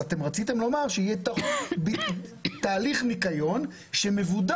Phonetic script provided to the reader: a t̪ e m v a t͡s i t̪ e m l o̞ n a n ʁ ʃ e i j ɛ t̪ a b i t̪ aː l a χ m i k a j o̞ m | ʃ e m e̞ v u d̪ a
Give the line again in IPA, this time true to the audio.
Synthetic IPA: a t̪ e m ʁ a t͡s i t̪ e m l o̞ m a ʁ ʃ e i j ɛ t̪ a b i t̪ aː l i χ m i k a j o̞ n | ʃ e m e̞ v u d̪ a

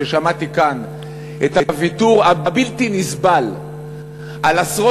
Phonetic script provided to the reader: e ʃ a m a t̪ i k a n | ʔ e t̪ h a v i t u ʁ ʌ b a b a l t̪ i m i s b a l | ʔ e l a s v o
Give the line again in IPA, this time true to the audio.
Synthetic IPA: e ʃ a m a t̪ i k a n | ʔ e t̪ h a v i t u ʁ a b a b i l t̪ i n i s b a l | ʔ a l a s ʁ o

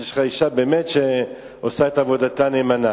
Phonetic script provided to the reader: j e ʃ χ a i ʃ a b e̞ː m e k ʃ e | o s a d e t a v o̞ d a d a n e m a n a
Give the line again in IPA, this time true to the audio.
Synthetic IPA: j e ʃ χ a i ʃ a b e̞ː m e t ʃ e | o s a e t a v o̞ d a t a n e m a n a

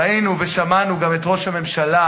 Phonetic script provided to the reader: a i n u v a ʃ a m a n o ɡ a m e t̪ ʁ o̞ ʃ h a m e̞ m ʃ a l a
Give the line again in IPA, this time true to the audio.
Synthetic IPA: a i n u v e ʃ a m a n u ɡ a m e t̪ ʁ o̞ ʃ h a m e̞ m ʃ a l a

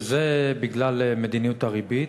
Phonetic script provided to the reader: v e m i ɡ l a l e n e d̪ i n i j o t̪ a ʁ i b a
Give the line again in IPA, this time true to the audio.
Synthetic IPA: z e b i ɡ l a l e m e d̪ i n i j u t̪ a ʁ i b i

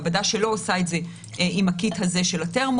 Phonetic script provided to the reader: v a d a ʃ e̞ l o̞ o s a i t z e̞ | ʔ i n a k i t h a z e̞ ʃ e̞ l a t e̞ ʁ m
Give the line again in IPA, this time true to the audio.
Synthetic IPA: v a d a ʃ e̞ l o̞ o s a e t z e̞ | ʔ i m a k i t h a z e̞ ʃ e̞ l a t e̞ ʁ m

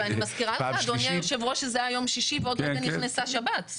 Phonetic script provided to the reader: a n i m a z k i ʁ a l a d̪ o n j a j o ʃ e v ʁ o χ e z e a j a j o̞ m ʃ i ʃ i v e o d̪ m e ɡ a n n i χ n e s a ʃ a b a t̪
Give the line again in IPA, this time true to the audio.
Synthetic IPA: a n i m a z k i ʁ a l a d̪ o n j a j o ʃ e v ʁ o ʃ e z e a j a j o̞ m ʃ i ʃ i v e o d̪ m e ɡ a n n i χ n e s a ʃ a b a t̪

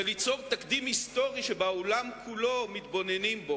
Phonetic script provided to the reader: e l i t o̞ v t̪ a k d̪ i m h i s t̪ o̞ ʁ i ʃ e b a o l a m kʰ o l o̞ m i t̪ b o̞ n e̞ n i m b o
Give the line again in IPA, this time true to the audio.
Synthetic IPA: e l i t͡s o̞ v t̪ a k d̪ i m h i s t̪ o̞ ʁ i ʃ e b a o l a m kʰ u l o̞ m i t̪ b o̞ n e̞ n i m b o

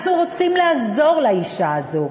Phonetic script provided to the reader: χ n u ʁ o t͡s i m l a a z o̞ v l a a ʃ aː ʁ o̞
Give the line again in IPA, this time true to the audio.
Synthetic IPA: χ n u ʁ o t͡s i m l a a z o̞ ʁ l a i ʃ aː z o̞

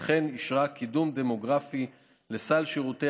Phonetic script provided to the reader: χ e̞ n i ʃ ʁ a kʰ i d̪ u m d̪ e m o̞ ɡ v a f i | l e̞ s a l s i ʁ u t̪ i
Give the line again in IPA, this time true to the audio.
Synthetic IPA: χ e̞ n i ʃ ʁ a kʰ i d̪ u m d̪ e m o̞ ɡ ʁ a f i | l e̞ s a l ʃ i ʁ u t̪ e

